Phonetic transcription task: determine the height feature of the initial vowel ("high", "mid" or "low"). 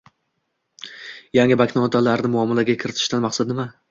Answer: low